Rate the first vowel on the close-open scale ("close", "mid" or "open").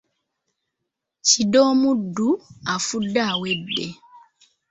close